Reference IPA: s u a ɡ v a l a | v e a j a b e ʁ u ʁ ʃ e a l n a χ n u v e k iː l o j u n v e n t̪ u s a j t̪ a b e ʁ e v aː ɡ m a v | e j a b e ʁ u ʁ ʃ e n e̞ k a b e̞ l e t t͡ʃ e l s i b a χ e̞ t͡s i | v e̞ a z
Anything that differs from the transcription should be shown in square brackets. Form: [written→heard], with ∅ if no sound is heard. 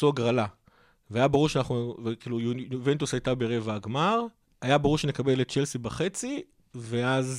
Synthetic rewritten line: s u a ɡ [v→ʁ] a l a | v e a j a b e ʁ u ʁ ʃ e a [l→∅] n a χ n u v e k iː l [o→u] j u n v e n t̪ u s a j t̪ a b e ʁ e v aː ɡ m a [v→ʁ] | [e→a] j a b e ʁ u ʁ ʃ e n e̞ k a b e̞ l e t t͡ʃ e l s i b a χ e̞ t͡s i | v e̞ a z